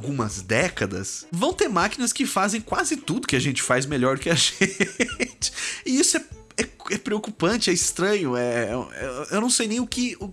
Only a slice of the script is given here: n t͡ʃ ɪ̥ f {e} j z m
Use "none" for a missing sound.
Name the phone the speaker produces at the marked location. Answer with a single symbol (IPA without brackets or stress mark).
a